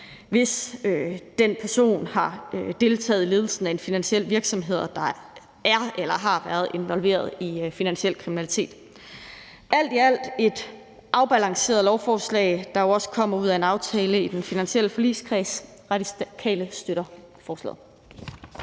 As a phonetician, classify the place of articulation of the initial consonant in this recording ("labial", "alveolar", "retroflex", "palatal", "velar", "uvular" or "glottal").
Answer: labial